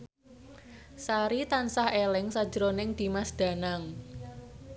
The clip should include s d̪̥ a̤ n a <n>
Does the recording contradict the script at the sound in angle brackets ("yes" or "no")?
yes